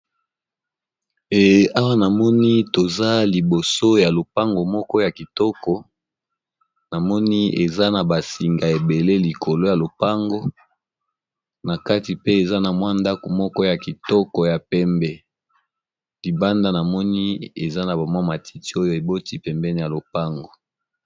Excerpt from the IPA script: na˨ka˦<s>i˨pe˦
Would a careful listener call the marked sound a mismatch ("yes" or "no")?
yes